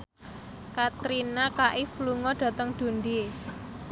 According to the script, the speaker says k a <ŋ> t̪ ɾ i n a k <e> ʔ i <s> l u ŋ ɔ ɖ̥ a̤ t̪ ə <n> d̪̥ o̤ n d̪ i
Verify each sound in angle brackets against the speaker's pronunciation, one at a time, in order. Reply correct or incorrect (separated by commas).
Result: incorrect, incorrect, incorrect, incorrect